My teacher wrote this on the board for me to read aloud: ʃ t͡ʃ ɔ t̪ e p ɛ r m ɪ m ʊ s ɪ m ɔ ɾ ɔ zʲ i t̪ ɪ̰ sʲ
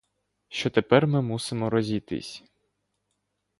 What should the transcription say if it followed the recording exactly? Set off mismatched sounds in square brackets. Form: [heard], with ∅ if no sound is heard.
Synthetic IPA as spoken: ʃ t͡ʃ ɔ t̪ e p ɛ r m ɪ m [u] s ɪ m ɔ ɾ ɔ zʲ i t̪ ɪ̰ sʲ